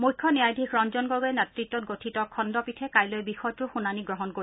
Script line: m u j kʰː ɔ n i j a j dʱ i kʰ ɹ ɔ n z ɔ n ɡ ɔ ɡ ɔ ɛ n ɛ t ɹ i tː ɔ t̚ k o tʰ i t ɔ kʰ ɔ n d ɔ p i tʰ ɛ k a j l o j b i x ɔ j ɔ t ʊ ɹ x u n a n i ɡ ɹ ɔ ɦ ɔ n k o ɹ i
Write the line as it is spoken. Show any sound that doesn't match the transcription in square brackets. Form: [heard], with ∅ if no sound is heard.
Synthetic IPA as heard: m u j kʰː ɔ n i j a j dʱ i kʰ ɹ ɔ n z ɔ n ɡ ɔ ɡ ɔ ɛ n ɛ t ɹ i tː ɔ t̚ [ɡ] o tʰ i t ɔ kʰ ɔ n d ɔ p i tʰ ɛ k a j l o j b i x ɔ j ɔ t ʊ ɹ x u n a n i ɡ ɹ ɔ ɦ ɔ n k o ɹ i